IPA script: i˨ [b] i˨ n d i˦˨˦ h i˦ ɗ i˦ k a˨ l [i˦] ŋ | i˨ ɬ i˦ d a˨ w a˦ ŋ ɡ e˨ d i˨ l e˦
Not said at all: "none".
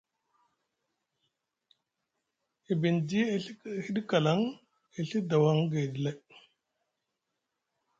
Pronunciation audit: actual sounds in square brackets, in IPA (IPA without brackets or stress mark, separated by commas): b, a˦